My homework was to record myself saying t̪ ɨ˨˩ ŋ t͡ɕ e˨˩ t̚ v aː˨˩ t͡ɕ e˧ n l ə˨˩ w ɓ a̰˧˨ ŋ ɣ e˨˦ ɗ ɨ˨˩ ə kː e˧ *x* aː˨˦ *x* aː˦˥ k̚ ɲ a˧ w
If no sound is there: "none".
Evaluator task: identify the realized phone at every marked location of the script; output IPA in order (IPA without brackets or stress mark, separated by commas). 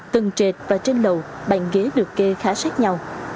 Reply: x, s